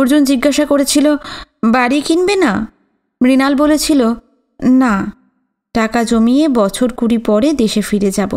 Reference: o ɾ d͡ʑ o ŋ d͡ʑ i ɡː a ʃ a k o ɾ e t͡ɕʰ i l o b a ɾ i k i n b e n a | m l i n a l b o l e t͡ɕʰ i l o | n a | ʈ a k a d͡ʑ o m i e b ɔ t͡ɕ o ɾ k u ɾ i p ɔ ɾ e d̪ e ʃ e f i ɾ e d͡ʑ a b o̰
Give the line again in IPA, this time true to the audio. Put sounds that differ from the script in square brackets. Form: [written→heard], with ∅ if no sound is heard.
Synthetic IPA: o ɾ d͡ʑ o [ŋ→n] d͡ʑ i ɡː a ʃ a k o ɾ e t͡ɕʰ i l o b a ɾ i k i n b e n a | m [l→ɾ] i n a l b o l e t͡ɕʰ i l o | n a | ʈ a k a d͡ʑ o m i e b ɔ [t͡ɕ→t͡ɕʰ] o ɾ k u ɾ i p ɔ ɾ e d̪ e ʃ e f i ɾ e d͡ʑ a b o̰